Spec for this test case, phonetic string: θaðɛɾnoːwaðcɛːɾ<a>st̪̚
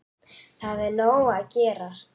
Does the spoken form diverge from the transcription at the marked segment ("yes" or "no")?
no